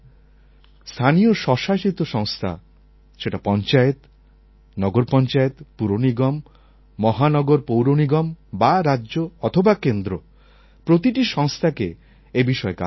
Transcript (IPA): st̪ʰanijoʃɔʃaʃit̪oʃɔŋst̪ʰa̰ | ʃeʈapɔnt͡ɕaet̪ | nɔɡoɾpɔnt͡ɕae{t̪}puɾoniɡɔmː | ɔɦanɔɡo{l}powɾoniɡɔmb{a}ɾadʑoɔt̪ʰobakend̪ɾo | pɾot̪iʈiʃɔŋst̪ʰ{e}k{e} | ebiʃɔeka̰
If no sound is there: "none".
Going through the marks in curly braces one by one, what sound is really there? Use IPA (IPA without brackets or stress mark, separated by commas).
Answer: t̪, ɾ, a, a, e